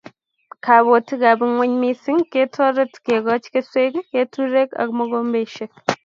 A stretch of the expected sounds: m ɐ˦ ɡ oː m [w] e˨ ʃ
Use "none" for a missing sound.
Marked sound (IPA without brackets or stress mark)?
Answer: b